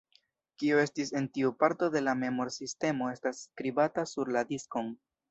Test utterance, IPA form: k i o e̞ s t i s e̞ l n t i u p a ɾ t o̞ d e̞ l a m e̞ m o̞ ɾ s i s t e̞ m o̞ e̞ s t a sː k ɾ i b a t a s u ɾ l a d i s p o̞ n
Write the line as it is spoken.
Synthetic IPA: k i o e̞ s t i s e̞ n t i u p a ɾ t o̞ d e̞ l a m e̞ m o̞ ɾ s i s t e̞ m o̞ e̞ s t a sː k ɾ i b a t a s u ɾ l a d i s k o̞ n